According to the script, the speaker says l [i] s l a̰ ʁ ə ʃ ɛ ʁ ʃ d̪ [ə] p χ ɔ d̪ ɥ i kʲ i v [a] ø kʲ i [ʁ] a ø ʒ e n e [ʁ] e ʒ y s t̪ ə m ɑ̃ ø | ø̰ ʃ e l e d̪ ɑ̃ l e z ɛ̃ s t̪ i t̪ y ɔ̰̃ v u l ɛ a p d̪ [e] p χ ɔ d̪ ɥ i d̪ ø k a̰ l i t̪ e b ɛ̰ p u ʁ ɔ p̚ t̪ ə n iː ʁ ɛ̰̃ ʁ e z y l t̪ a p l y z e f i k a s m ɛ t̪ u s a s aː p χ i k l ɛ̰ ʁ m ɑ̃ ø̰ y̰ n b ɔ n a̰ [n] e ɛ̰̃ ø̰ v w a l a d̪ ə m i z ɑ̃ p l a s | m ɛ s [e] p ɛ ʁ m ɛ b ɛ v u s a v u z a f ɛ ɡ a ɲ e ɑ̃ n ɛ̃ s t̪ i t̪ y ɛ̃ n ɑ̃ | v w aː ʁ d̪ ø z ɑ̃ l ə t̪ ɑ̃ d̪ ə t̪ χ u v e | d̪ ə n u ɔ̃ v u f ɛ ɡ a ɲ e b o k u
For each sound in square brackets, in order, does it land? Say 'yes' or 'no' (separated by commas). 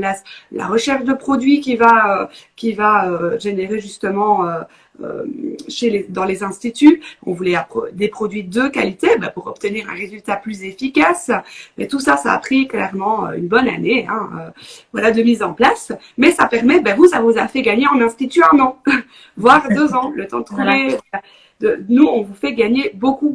no, yes, yes, no, yes, yes, yes, no